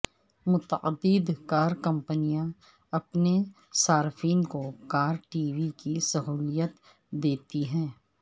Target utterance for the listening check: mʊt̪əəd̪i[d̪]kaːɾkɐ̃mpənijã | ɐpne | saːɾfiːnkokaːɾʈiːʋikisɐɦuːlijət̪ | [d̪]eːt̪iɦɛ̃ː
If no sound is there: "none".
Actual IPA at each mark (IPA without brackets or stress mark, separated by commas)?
d̪, d̪